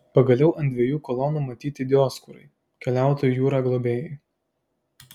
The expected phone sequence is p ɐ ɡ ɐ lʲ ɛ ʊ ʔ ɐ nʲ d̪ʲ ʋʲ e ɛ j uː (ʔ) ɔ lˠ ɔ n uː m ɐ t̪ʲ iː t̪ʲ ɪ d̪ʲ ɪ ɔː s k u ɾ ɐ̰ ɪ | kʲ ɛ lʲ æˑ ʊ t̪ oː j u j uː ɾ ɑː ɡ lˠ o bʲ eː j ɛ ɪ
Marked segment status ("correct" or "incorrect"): incorrect